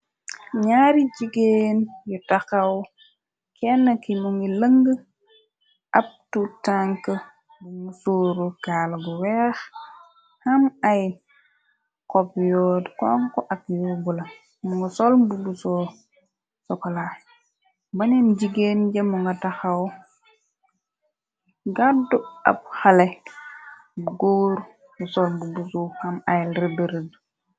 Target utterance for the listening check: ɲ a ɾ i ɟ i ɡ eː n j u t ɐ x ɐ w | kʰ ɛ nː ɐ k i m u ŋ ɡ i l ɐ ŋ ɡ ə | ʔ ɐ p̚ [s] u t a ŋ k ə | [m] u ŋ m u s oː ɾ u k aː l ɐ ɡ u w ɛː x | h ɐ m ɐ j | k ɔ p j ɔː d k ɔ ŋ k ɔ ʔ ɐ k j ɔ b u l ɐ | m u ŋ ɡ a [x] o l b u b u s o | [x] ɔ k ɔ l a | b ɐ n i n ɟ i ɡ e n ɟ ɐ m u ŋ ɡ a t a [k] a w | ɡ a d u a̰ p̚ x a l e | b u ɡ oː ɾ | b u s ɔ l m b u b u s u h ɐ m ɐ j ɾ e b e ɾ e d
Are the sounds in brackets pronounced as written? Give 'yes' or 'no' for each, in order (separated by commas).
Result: no, no, no, no, no